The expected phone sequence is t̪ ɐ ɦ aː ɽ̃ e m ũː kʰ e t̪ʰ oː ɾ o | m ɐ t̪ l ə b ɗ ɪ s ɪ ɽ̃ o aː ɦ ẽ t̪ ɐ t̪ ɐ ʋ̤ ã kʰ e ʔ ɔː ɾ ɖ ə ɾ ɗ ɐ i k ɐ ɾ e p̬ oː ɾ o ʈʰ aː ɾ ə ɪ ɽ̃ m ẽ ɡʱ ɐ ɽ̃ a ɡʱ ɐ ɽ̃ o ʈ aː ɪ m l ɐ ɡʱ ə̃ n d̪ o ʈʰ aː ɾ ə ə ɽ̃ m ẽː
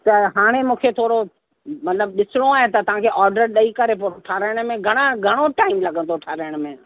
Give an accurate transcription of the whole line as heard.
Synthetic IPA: t̪ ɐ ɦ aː ɽ̃ e m ũː kʰ e t̪ʰ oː ɾ o | m ɐ t̪ l ə b ɗ ɪ s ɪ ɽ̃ o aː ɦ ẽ t̪ ɐ t̪ ɐ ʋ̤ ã kʰ e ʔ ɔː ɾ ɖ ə ɾ ɗ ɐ i k ɐ ɾ e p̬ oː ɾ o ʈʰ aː ɾ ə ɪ ɽ̃ m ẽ ɡʱ ɐ ɽ̃ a ɡʱ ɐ ɽ̃ o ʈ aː ɪ m l ɐ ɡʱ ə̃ n d̪ o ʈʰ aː ɾ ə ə ɽ̃ m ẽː